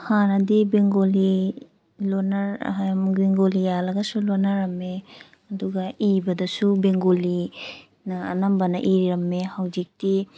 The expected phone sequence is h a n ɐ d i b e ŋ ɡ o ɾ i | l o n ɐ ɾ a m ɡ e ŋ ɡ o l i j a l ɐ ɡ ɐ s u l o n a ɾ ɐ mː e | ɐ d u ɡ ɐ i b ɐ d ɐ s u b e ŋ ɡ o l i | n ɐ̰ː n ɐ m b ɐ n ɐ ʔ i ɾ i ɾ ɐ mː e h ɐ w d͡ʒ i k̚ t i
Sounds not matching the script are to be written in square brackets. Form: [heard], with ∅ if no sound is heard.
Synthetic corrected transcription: h a n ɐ d i b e ŋ ɡ o [l] i | l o n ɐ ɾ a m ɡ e ŋ ɡ o l i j a l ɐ ɡ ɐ s u l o n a ɾ ɐ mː e | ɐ d u ɡ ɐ i b ɐ d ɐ s u b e ŋ ɡ o l i | n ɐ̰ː n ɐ m b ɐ n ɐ ʔ i ɾ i ɾ ɐ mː e h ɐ w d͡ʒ i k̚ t i